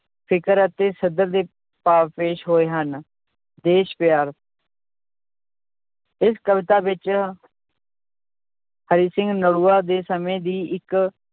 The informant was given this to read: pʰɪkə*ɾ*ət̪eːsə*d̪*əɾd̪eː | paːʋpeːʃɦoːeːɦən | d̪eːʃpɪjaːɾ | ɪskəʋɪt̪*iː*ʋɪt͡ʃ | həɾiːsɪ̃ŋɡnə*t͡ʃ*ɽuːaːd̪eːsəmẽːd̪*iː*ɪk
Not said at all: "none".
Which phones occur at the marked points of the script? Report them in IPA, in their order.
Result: ɾ, d̪, aː, none, iː

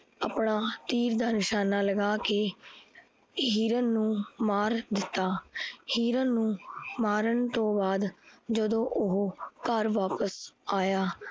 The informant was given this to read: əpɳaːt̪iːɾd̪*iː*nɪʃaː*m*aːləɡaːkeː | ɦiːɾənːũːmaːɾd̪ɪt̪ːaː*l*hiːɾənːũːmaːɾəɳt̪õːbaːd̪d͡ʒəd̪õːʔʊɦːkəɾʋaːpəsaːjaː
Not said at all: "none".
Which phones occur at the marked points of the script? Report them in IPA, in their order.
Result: aː, n, none

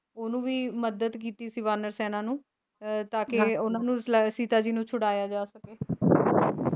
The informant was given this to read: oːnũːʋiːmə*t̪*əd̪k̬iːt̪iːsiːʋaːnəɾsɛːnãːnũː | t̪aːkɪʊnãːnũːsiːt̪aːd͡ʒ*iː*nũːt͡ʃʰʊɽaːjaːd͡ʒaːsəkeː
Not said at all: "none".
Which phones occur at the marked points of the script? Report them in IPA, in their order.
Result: d̪, iː

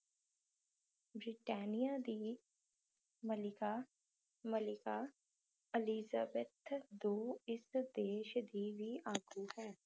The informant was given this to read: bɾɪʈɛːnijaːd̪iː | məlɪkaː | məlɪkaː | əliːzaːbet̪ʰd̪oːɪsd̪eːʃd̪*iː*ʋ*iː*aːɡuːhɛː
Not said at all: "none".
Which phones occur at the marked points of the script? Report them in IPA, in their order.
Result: iː, iː

